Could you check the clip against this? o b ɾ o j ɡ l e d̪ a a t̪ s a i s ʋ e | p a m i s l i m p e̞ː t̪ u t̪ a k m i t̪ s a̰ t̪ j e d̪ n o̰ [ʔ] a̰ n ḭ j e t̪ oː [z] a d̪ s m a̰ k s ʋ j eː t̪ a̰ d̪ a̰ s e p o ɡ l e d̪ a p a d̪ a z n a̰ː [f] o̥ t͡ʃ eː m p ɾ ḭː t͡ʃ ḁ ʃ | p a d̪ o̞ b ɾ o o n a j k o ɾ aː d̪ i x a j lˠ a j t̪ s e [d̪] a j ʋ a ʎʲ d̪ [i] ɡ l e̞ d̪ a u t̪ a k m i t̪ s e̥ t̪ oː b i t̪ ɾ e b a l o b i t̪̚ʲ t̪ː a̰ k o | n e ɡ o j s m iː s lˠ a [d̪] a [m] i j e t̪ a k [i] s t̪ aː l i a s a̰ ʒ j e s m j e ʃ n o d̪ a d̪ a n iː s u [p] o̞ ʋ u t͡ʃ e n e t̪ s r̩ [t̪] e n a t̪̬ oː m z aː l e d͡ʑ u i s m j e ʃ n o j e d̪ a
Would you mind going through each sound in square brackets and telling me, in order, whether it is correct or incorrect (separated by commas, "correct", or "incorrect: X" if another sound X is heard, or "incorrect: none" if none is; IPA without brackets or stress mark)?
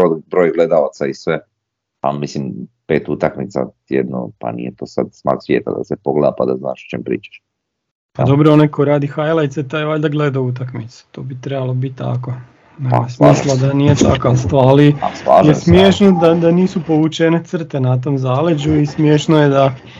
incorrect: p, incorrect: s, incorrect: ʃ, incorrect: t̪, incorrect: a, correct, incorrect: n, incorrect: a, correct, correct